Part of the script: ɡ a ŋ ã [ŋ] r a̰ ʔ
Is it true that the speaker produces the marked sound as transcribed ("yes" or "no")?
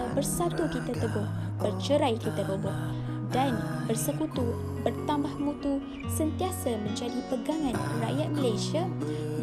no